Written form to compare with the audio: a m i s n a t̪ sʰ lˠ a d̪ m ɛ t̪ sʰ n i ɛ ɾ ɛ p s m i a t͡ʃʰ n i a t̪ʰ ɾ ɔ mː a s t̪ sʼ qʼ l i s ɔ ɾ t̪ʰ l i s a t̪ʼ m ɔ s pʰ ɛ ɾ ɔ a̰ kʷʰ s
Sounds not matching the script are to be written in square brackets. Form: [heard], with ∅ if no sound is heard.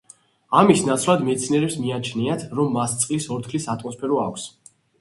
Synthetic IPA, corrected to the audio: a m i s n a t̪ sʰ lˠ a d̪ m ɛ t̪ sʰ n i ɛ ɾ ɛ p s m i a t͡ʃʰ n i a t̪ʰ ɾ ɔ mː a s t̪ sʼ qʼ l i s ɔ ɾ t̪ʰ l i s a t̪ʼ m ɔ s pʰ ɛ ɾ ɔ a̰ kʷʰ s